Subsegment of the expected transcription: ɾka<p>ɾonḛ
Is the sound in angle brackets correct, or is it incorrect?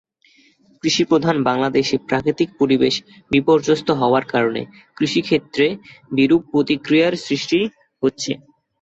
incorrect